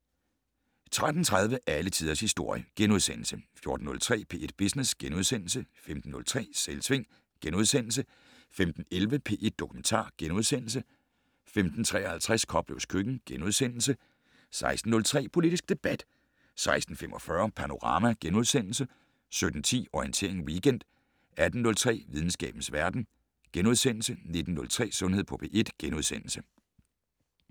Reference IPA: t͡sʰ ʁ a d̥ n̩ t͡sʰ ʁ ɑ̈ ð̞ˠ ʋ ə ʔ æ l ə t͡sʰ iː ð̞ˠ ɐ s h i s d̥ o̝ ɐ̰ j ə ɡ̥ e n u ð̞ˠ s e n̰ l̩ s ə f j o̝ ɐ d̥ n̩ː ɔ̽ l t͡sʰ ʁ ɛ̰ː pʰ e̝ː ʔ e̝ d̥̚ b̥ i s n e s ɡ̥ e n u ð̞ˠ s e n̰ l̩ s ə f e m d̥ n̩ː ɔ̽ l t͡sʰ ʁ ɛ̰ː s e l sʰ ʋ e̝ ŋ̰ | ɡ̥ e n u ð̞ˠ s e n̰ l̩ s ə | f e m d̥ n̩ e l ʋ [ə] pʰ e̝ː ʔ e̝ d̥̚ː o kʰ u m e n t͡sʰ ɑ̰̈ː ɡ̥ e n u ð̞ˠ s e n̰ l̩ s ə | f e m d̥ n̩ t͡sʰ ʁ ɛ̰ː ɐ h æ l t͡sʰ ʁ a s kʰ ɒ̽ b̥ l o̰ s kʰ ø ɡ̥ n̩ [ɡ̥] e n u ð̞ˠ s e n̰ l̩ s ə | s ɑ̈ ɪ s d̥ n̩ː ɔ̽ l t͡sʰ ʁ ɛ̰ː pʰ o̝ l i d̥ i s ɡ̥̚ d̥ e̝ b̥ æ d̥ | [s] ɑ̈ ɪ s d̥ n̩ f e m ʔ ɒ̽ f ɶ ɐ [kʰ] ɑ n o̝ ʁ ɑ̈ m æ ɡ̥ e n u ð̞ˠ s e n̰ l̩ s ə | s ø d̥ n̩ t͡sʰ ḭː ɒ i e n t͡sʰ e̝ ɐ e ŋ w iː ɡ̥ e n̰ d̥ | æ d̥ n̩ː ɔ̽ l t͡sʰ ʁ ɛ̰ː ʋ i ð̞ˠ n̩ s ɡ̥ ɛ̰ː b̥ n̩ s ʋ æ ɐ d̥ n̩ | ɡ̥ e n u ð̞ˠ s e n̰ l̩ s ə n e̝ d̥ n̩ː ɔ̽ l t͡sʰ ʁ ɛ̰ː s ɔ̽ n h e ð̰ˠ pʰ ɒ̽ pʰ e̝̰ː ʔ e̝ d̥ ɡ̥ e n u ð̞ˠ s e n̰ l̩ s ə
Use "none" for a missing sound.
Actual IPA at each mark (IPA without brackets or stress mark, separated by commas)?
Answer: ə, ɡ̥, s, pʰ